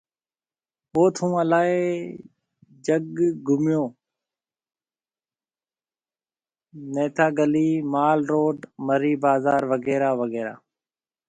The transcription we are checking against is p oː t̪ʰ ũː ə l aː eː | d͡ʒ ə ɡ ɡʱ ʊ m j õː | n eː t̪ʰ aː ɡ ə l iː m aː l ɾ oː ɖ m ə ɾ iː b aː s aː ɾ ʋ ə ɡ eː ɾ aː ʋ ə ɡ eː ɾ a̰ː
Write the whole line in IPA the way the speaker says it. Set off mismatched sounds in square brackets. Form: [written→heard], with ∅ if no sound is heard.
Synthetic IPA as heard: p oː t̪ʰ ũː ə l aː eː | d͡ʒ ə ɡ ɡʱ ʊ m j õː | n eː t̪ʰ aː ɡ ə l iː m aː l ɾ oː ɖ m ə ɾ iː b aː [s→z] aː ɾ ʋ ə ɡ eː ɾ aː ʋ ə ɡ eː ɾ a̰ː